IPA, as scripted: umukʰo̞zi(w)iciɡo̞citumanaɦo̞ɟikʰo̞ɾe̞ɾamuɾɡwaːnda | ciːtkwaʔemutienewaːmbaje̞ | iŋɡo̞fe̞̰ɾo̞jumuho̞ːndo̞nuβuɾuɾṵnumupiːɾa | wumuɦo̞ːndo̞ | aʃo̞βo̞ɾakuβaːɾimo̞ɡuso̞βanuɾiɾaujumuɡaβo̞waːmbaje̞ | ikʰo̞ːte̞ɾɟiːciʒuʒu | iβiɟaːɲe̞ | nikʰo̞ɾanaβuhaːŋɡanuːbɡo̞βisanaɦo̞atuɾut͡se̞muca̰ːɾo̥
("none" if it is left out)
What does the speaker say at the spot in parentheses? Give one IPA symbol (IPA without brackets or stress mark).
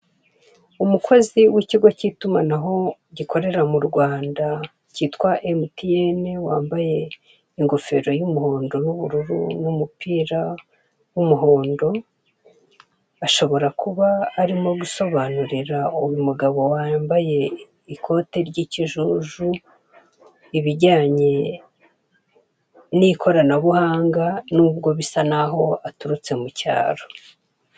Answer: w